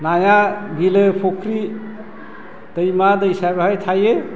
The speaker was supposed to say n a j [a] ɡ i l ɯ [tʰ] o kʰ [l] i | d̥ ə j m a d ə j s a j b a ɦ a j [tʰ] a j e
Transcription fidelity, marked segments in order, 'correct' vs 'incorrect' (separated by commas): correct, incorrect, incorrect, correct